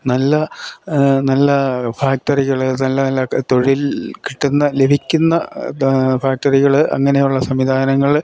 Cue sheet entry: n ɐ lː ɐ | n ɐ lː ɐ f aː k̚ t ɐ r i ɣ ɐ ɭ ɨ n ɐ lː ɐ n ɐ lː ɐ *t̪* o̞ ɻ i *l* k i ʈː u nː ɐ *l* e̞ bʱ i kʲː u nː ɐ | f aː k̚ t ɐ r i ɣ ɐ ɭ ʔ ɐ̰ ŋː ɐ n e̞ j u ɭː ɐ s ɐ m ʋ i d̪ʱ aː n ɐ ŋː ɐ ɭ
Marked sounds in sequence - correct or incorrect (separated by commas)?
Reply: correct, correct, correct